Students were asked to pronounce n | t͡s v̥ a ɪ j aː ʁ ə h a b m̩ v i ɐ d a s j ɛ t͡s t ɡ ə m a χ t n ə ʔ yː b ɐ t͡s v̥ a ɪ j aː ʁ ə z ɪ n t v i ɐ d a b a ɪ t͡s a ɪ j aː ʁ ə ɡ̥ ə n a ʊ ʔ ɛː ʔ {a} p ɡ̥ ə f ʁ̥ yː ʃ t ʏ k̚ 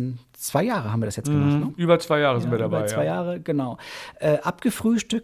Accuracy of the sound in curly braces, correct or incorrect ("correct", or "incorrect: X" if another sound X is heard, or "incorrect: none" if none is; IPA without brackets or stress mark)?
correct